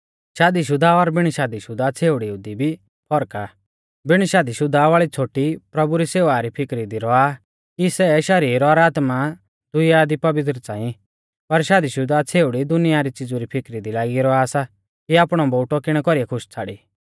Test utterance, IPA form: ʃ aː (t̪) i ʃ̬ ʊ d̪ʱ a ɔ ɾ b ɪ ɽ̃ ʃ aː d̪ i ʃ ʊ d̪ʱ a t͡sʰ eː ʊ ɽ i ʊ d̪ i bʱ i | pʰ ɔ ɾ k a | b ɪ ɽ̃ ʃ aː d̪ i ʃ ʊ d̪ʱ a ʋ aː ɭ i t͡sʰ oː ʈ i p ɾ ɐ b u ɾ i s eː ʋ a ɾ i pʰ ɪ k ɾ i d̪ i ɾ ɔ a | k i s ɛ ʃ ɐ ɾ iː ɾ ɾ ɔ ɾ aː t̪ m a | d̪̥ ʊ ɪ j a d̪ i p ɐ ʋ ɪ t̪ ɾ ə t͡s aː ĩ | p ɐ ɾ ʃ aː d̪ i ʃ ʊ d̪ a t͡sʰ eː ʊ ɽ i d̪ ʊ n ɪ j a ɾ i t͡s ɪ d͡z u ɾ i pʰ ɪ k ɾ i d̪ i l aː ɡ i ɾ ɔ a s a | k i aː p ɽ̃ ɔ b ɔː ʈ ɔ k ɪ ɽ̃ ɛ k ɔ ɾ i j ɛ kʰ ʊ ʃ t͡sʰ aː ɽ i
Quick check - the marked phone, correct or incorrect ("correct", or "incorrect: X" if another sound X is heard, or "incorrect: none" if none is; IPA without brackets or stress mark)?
incorrect: d̪